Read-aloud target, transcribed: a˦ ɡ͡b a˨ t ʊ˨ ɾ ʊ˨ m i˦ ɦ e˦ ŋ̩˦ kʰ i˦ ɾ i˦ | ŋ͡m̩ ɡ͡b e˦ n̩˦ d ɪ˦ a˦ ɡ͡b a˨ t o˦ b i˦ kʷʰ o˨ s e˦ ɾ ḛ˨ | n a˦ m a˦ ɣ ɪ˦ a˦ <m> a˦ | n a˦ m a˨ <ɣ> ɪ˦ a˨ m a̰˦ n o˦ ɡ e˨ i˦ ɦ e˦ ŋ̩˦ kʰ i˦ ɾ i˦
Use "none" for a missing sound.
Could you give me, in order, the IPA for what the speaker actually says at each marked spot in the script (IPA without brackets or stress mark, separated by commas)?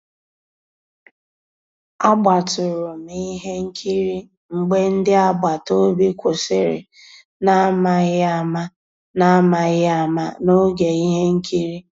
m, ɣ